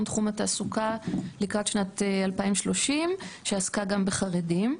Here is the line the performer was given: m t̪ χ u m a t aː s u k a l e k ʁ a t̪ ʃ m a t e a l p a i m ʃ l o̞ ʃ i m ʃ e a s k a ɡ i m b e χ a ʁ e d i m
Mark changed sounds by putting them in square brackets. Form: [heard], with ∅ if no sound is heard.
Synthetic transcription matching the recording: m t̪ χ u m a t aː s u k a l [i] k ʁ a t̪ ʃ [n] a t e a l p a i m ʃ l o̞ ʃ i m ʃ e a s k a ɡ [a] m b e χ a ʁ e d i m